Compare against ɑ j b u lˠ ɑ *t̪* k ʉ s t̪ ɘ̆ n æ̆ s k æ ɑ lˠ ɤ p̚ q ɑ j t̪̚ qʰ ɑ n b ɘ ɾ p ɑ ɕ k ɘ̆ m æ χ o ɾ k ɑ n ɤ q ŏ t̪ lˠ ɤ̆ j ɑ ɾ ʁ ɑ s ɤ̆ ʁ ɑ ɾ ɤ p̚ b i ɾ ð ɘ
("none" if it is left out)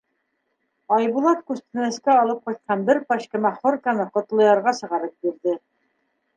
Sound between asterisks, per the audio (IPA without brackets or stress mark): t̪